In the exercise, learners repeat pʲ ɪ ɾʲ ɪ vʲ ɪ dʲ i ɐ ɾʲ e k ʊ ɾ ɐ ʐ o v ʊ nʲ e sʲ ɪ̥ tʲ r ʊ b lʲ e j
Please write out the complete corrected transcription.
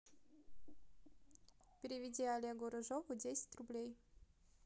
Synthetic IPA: pʲ ɪ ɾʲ ɪ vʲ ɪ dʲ i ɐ lʲ e ɡ ʊ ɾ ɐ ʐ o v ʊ dʲ e sʲ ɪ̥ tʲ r ʊ b lʲ e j